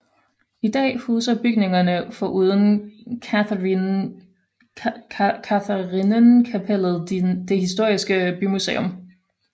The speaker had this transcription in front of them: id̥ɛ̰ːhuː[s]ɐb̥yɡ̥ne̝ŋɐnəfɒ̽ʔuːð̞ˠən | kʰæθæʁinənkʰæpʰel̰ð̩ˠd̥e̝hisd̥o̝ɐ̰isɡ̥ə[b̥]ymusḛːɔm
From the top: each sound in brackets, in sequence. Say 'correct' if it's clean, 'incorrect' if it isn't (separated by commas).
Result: correct, correct